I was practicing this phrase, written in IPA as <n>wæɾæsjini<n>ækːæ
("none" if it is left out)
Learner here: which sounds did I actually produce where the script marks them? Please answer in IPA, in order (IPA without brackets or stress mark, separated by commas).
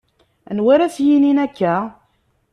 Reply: n, n